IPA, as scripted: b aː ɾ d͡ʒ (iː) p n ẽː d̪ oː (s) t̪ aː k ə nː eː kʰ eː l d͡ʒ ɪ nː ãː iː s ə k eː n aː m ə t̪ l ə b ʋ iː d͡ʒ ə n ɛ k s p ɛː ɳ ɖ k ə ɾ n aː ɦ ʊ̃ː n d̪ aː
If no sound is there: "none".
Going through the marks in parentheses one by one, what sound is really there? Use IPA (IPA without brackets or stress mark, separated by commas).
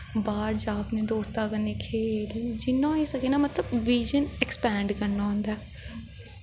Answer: aː, s